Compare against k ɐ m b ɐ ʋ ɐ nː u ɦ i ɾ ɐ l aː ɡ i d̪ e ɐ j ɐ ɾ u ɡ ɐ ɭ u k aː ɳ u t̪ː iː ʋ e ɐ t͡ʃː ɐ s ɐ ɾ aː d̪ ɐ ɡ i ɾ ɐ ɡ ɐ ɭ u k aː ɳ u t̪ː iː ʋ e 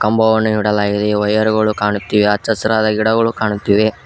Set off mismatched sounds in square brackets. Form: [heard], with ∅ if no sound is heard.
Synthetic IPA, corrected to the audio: k ɐ m b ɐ ʋ ɐ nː u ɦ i [ɽ] ɐ l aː ɡ i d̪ e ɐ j ɐ ɾ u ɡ ɐ ɭ u k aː ɳ u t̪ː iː ʋ e ɐ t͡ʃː ɐ s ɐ ɾ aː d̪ ɐ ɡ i [ɽ] ɐ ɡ ɐ ɭ u k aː ɳ u t̪ː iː ʋ e